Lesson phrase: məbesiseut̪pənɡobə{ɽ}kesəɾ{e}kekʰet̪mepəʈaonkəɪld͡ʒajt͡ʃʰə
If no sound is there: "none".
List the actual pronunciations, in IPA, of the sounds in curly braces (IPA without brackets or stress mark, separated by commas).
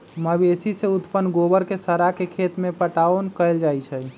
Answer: ɾ, a